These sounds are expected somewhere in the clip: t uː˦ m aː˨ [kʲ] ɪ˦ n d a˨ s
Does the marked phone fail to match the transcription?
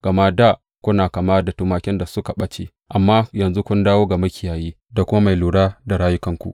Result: no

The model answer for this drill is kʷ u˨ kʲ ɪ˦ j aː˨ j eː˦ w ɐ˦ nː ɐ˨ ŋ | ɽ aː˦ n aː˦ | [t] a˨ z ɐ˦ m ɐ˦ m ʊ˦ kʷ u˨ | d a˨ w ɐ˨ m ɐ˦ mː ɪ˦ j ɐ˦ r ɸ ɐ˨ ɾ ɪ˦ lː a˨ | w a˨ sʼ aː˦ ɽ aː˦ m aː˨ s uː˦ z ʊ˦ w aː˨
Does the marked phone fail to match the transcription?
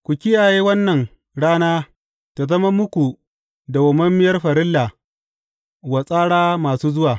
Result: no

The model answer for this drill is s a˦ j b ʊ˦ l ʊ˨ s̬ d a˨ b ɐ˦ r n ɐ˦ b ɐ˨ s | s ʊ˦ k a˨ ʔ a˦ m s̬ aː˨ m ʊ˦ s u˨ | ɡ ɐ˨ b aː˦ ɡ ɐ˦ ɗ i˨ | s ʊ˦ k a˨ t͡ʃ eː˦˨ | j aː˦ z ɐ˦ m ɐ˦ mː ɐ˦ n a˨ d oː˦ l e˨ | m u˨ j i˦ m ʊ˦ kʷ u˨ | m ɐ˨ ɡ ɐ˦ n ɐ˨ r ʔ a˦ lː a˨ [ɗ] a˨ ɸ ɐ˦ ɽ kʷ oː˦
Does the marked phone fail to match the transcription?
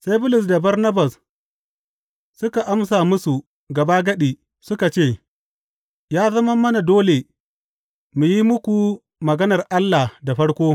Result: yes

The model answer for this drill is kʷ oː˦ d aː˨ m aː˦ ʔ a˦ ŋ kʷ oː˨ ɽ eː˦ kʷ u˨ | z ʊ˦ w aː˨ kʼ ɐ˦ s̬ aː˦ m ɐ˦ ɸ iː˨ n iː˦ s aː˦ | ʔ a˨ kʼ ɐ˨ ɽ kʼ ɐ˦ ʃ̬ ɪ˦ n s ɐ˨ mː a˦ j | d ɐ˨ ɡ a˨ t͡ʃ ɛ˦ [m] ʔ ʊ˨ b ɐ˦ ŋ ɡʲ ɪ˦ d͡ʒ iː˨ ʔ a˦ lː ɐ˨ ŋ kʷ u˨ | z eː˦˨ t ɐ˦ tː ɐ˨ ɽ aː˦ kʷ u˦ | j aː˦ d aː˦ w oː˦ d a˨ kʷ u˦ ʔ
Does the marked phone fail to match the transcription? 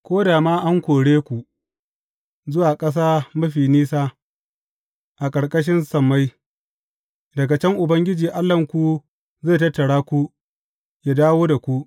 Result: yes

